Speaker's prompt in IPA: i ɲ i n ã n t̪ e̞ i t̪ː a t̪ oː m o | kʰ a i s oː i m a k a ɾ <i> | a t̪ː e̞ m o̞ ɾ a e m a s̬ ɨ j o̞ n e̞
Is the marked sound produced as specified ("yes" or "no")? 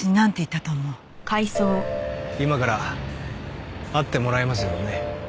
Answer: no